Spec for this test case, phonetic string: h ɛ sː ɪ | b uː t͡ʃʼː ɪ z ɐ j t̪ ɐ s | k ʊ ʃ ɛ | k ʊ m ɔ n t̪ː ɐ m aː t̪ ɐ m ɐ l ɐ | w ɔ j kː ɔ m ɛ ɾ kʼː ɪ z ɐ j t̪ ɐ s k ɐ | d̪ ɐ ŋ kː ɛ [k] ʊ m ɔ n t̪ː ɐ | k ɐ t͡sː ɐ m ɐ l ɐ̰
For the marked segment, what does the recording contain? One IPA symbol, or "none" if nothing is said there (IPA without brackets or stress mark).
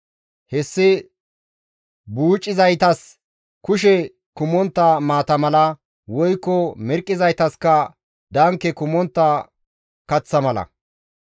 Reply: k